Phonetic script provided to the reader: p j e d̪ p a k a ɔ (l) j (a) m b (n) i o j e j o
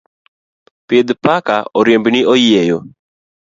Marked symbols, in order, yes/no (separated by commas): no, no, yes